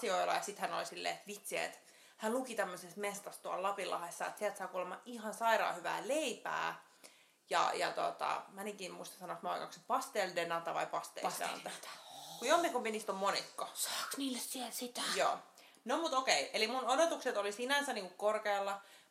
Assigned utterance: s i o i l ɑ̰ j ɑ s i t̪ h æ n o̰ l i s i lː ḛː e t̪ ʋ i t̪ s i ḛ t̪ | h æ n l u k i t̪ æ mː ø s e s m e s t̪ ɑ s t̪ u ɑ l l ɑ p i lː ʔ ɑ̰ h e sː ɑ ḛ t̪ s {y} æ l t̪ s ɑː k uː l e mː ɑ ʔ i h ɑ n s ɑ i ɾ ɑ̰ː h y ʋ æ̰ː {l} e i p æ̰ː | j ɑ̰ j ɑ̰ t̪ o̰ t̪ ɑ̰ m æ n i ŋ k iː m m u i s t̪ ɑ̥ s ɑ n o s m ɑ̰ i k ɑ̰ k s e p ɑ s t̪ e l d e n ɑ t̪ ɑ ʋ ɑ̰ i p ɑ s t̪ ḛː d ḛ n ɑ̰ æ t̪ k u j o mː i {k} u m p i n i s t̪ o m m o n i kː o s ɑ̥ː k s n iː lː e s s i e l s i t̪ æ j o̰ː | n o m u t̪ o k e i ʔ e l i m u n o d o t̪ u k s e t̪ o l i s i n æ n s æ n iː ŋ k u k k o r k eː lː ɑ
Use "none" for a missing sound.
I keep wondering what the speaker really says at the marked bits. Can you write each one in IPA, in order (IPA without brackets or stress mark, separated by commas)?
i, l, k